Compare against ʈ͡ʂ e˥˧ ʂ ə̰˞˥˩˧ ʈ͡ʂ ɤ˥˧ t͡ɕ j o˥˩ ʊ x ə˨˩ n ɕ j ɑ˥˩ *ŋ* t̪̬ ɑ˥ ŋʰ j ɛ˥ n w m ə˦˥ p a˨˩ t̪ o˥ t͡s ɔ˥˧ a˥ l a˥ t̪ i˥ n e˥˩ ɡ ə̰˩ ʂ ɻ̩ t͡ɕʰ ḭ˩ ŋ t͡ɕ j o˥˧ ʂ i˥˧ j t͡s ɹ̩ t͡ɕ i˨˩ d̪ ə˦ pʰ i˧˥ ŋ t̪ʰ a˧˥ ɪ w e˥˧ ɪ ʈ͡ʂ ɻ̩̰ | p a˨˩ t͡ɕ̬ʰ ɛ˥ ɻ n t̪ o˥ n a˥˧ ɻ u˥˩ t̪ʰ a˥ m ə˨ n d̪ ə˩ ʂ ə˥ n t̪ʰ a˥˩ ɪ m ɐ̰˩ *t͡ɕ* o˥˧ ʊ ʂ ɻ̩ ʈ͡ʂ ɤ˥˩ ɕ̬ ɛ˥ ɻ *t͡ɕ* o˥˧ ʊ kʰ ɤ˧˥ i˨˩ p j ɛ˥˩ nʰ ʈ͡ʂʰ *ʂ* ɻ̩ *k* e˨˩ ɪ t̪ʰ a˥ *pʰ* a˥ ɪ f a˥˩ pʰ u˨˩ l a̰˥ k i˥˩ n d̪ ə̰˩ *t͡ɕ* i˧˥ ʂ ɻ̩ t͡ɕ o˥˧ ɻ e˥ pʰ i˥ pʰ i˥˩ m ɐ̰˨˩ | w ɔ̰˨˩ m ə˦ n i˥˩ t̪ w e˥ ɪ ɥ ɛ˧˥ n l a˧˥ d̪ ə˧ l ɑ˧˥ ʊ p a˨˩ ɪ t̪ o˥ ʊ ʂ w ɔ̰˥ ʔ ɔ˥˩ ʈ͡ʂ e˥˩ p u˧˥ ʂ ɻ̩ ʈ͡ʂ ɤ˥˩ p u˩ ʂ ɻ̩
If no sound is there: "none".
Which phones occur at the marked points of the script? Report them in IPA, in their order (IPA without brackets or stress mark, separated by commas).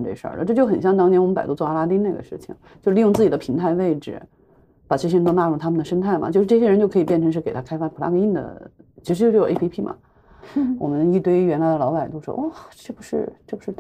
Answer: ŋ, t͡ɕ, t͡ɕ, ʂ, k, kʰ, t͡ɕʰ